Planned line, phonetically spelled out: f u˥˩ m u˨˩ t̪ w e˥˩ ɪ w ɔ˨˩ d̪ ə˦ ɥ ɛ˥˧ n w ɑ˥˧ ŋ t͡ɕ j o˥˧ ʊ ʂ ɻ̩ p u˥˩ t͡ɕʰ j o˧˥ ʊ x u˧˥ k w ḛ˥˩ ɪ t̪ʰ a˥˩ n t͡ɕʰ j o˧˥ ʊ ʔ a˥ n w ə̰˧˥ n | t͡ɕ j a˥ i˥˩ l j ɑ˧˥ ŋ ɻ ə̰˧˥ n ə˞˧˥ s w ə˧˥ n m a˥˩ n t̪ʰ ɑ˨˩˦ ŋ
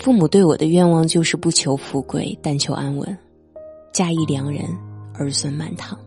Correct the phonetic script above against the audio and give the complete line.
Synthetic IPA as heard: f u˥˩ m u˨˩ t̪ w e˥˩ ɪ w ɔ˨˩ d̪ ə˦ ɥ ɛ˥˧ n w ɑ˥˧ ŋ t͡ɕ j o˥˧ ʊ ʂ ɻ̩ p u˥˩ t͡ɕʰ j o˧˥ ʊ f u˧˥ k w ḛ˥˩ ɪ t̪ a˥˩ n t͡ɕʰ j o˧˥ ʊ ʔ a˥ n w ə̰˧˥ n | t͡ɕ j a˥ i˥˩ l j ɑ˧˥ ŋ ɻ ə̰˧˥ n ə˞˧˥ s w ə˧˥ n m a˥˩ n t̪ʰ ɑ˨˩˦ ŋ